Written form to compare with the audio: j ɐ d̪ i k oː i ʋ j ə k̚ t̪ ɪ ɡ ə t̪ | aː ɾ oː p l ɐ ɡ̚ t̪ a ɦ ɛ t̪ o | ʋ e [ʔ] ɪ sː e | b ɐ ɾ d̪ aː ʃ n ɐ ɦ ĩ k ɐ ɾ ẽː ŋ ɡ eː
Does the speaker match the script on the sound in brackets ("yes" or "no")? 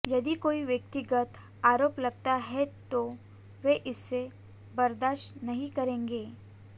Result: yes